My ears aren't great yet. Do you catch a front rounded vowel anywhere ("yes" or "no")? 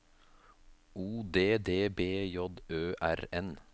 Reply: yes